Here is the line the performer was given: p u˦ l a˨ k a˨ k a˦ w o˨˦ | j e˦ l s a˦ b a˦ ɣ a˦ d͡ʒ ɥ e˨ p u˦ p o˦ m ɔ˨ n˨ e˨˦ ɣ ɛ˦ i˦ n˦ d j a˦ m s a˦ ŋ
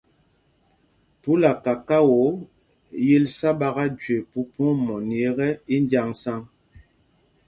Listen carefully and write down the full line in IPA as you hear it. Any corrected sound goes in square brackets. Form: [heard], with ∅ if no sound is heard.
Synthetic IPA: p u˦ l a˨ k a˨ k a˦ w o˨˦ | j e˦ l s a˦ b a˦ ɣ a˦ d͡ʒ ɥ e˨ p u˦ p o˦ m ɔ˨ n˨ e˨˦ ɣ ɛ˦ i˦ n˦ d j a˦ [ŋ] s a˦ ŋ

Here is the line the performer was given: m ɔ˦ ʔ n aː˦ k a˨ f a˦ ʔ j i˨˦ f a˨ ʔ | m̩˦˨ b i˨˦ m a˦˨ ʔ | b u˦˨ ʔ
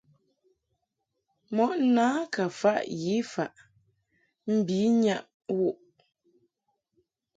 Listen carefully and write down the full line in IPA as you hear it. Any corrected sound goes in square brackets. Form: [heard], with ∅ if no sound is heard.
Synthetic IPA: m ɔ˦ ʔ n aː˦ k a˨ f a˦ ʔ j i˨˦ f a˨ ʔ | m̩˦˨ b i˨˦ [ɲ] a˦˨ ʔ | [w] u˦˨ ʔ

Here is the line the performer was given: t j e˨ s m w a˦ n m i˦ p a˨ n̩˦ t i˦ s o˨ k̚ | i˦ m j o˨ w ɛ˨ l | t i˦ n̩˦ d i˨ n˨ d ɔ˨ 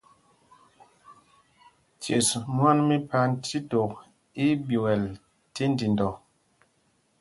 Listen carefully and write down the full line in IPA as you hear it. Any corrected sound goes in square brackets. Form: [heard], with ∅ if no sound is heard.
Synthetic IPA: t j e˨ s m w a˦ n m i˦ p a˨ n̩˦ t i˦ [t] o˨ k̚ | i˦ [b] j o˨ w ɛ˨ l | t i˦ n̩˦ d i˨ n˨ d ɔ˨

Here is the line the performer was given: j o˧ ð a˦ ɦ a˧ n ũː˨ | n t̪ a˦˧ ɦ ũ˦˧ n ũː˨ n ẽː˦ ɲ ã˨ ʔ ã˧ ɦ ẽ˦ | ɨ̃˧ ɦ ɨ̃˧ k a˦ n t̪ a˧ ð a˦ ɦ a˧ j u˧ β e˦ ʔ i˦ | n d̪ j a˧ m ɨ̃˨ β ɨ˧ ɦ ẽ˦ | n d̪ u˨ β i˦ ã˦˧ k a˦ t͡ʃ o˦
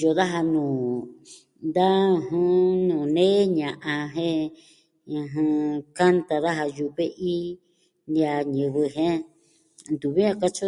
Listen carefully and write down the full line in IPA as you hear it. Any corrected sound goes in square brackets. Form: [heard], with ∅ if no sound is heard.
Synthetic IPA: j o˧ ð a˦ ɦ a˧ n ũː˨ | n [d̪] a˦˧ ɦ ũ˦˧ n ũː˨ n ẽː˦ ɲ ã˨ ʔ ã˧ ɦ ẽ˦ | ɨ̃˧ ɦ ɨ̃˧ k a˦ n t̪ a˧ ð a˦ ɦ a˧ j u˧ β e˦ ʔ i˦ | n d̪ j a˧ [ɲ] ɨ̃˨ β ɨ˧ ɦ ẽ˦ | n d̪ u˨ β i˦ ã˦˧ k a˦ t͡ʃ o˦

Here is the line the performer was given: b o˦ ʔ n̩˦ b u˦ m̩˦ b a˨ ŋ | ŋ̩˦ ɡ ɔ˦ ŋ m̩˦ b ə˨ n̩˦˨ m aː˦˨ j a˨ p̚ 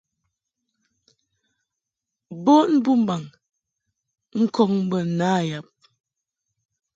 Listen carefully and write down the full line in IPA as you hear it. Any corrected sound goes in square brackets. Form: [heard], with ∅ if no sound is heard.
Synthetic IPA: b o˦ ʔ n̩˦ b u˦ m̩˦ b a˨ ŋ | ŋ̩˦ [k] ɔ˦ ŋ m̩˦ b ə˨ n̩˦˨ [n] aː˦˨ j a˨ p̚

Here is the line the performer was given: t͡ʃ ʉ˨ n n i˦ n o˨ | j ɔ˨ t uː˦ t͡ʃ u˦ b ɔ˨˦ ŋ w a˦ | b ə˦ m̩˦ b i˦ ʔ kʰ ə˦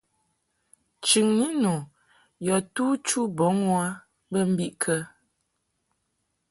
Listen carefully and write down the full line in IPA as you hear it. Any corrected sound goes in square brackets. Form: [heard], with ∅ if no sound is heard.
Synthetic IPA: t͡ʃ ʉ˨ [ŋ] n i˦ n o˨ | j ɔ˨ t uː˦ t͡ʃ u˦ b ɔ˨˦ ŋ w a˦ | b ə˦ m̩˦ b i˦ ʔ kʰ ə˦

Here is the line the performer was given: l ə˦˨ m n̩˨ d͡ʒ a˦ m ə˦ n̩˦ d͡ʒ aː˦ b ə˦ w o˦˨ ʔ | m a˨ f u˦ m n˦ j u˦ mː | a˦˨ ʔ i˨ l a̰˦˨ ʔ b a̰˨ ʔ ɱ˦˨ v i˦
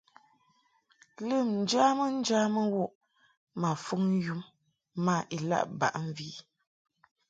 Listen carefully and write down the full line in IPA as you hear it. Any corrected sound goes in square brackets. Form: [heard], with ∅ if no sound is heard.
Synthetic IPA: l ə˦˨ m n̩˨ d͡ʒ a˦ m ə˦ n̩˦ d͡ʒ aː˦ [m] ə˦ w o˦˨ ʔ | m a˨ f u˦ [ŋ] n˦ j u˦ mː | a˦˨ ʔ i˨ l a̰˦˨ ʔ b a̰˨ ʔ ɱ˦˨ v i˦

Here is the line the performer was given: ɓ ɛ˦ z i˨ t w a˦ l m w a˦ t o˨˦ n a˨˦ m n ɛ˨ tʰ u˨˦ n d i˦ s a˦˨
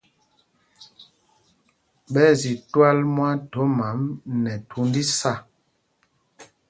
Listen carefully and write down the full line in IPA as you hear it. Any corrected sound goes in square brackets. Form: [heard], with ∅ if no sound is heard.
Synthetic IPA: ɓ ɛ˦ z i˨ t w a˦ l m w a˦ t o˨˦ [m] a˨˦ m n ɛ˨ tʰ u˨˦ n d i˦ s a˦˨

